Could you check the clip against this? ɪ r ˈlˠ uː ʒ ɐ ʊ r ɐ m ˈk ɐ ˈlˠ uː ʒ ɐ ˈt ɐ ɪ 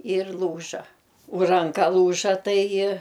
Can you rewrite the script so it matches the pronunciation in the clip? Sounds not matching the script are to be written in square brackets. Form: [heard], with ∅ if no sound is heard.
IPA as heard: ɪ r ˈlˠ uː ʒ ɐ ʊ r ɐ [ŋ] ˈk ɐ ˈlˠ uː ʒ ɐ ˈt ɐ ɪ